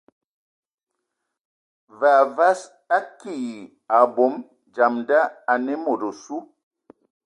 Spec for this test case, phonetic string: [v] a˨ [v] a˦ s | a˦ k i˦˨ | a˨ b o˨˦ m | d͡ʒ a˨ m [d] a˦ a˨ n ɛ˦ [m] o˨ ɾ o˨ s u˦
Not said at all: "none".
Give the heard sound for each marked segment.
v, v, d, m

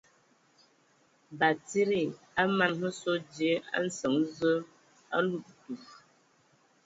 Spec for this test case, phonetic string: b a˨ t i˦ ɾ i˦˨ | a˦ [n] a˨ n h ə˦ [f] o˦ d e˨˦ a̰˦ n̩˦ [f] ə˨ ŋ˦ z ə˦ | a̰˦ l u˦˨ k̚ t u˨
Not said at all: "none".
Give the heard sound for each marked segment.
m, s, s

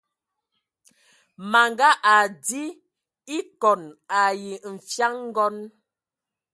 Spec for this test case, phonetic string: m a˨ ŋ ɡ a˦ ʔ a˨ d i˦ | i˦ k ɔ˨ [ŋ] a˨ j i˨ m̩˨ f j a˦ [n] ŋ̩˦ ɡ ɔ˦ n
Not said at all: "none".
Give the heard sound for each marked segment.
n, ŋ

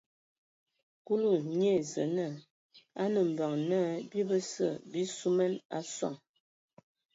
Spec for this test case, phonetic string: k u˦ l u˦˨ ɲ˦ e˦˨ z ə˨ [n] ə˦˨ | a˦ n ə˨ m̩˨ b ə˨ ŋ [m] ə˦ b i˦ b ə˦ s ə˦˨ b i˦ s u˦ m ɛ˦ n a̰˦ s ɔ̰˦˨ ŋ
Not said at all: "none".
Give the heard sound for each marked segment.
n, n

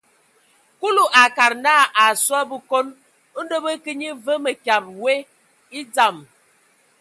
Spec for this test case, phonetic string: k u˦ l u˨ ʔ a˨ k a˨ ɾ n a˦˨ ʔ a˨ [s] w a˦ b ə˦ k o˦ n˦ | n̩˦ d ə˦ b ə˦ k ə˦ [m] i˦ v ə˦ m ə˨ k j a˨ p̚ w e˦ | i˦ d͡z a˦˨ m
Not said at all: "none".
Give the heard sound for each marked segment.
s, ɲ

